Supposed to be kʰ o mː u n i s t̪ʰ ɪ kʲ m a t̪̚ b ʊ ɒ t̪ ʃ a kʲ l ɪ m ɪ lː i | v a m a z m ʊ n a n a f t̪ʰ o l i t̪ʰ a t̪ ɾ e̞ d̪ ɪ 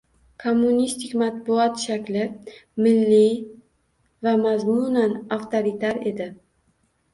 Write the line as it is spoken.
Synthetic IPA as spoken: kʰ o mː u n i s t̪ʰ ɪ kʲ m a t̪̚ b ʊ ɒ t̪ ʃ a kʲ l ɪ m ɪ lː i | v a m a z m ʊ n a n a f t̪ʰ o ɾ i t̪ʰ a ɾ e̞ d̪ ɪ